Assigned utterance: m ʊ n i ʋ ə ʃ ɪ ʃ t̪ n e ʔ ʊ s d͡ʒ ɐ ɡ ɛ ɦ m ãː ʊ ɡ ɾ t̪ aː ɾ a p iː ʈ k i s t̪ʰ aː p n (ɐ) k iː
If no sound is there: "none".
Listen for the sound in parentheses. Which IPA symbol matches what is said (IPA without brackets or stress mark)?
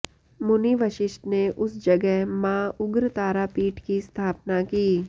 a